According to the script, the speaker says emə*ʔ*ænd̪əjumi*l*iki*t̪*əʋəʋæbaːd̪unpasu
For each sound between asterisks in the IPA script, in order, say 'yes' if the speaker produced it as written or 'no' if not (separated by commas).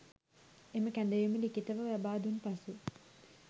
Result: no, yes, yes